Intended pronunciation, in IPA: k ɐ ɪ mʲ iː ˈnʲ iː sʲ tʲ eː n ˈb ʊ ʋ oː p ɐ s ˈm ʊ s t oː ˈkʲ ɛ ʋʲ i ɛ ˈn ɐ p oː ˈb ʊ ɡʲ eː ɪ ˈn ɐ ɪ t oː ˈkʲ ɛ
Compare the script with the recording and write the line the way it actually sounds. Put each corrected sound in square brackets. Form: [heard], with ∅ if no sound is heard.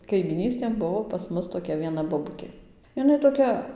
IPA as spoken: k ɐ ɪ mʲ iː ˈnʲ iː sʲ tʲ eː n ˈb ʊ ʋ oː p ɐ s ˈm ʊ s t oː ˈkʲ ɛ ʋʲ i ɛ ˈn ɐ [b] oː ˈb ʊ [kʲ] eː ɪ ˈn ɐ ɪ t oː ˈkʲ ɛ